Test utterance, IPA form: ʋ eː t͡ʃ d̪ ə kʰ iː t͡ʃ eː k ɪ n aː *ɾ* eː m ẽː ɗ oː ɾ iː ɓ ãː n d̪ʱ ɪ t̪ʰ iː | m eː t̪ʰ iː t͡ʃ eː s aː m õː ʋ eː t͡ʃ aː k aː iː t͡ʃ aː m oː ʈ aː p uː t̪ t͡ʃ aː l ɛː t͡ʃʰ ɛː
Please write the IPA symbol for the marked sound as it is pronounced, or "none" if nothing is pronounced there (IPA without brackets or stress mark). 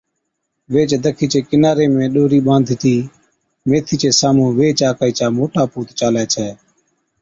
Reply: ɾ